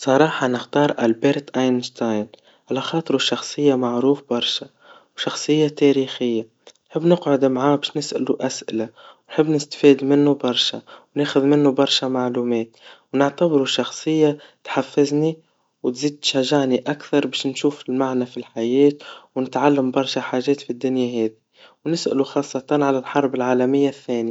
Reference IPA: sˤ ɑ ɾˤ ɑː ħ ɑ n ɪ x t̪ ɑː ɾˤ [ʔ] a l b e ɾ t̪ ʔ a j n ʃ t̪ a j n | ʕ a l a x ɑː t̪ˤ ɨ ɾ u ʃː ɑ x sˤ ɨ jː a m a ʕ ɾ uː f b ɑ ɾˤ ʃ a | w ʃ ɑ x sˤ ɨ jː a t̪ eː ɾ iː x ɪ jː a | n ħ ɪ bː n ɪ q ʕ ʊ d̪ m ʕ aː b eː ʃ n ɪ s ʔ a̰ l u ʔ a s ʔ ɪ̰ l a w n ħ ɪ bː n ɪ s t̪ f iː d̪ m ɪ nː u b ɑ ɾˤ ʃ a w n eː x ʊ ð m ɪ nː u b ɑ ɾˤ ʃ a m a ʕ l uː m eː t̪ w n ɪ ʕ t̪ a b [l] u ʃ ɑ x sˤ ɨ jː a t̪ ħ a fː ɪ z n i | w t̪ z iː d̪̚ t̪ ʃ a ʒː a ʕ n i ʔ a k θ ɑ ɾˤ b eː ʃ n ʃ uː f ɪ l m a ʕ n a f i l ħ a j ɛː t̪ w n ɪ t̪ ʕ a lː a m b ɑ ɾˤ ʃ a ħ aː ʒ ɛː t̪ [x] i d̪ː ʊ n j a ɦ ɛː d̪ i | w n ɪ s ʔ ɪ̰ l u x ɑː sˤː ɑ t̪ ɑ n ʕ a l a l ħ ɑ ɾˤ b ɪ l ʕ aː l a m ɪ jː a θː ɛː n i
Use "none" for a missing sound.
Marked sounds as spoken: ʔ, ɾ, f

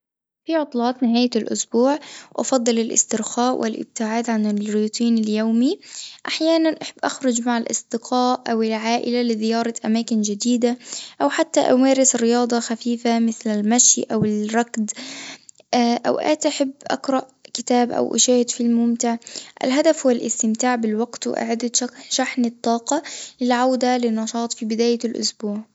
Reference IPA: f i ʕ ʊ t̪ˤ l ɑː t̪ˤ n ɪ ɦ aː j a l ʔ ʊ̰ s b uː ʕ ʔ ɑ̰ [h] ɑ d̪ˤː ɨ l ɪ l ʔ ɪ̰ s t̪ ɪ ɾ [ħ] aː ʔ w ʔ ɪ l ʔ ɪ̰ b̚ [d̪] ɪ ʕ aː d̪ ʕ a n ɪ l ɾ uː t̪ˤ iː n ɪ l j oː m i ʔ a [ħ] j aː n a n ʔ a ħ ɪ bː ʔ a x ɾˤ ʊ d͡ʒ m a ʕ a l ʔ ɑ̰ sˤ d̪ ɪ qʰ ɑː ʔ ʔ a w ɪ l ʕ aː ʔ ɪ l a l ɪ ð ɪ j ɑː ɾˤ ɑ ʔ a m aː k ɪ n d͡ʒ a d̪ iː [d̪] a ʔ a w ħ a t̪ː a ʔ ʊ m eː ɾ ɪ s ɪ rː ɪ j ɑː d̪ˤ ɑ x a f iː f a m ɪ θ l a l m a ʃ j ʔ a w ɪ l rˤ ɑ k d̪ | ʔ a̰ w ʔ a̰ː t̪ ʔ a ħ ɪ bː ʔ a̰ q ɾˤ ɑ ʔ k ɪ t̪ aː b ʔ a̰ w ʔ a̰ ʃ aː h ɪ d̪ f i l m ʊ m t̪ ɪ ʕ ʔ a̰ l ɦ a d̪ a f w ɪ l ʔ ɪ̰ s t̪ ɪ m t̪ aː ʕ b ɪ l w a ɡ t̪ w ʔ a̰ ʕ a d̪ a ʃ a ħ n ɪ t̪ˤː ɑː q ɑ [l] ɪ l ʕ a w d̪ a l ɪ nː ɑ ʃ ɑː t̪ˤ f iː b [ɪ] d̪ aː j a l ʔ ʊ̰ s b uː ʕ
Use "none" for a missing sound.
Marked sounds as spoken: f, x, t̪, ħ, d̪, l, ɪ

